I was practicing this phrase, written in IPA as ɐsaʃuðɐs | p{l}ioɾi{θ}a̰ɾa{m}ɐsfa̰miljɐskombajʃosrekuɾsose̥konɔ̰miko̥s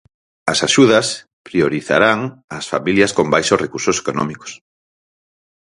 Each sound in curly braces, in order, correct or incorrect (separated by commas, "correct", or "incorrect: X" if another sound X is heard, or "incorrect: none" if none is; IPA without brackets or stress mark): incorrect: ɾ, correct, incorrect: ŋ